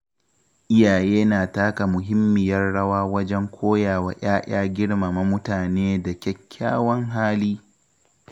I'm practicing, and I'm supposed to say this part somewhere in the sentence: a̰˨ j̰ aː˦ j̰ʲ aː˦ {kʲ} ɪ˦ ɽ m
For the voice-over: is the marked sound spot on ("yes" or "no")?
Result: no